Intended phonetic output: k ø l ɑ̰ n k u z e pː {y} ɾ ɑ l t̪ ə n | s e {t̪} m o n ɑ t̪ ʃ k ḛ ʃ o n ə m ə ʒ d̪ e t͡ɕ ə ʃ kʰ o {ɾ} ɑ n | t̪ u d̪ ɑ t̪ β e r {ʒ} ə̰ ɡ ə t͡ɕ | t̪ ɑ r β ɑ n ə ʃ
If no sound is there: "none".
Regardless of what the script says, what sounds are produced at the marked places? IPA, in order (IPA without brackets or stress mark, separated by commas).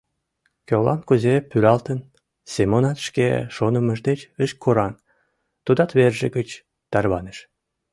y, none, ɾ, ʒ